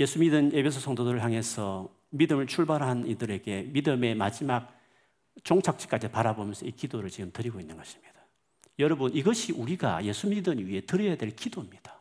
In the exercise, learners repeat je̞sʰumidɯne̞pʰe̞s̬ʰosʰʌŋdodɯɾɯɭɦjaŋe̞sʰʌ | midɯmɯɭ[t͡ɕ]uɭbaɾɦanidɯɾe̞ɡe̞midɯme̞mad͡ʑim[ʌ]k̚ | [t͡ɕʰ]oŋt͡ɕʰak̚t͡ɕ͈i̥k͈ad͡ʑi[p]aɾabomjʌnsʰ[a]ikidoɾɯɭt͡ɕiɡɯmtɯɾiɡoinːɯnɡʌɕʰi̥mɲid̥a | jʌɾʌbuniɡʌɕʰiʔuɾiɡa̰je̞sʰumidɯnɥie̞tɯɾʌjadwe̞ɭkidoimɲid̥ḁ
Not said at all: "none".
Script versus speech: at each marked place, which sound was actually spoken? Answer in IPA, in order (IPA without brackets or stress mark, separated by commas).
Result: t͡ɕʰ, a, t͡ɕ, p, ʌ